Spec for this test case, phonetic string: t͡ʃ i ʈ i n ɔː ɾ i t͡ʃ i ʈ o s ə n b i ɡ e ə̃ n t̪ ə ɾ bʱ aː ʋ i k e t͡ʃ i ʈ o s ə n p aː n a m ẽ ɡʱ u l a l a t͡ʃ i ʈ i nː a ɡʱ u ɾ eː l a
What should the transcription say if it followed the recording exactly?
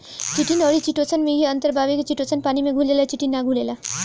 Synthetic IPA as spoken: t͡ʃ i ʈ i n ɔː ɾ i t͡ʃ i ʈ o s ə n m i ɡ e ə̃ n t̪ ə ɾ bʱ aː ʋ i k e t͡ʃ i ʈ o s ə n p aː n i m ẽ ɡʱ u l e l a t͡ʃ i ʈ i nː a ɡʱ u l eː l a